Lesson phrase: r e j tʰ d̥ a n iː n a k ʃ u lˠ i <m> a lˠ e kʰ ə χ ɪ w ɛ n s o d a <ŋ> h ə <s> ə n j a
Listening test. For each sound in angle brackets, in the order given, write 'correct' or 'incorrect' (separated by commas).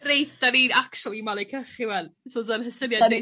correct, incorrect, correct